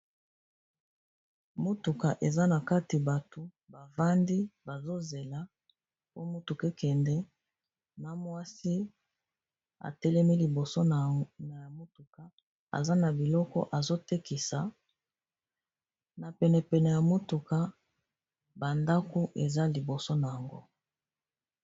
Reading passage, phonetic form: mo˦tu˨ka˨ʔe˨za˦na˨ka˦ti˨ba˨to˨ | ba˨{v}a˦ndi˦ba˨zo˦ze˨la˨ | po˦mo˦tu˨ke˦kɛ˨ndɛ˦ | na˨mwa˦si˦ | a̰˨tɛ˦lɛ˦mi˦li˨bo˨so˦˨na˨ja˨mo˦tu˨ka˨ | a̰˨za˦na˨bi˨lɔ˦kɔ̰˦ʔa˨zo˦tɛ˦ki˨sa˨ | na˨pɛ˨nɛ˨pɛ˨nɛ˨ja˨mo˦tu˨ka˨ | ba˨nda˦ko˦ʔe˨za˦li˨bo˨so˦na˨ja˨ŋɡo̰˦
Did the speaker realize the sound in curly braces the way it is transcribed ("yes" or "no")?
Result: yes